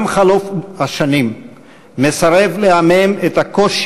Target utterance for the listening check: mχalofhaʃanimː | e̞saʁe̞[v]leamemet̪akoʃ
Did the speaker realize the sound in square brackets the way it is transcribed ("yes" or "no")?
yes